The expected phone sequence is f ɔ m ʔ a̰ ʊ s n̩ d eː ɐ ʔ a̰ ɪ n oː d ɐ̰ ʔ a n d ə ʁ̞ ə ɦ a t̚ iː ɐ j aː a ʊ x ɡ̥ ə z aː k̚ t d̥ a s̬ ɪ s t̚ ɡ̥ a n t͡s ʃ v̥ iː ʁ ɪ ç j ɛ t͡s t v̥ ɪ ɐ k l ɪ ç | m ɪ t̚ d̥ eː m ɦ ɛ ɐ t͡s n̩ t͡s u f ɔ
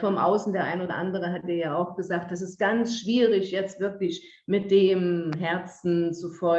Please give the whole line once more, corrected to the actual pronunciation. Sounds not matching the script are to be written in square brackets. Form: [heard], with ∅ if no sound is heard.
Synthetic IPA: f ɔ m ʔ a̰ ʊ s n̩ d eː ɐ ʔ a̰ ɪ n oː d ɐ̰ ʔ a n d ə ʁ̞ ə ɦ a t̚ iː ɐ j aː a ʊ x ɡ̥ ə z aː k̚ t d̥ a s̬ ɪ s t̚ ɡ̥ a n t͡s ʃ v̥ iː ʁ ɪ ç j ɛ t͡s t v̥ ɪ ɐ k l ɪ ç | m ɪ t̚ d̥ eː m ɦ ɛ ɐ t͡s n̩ t͡s u f ɔ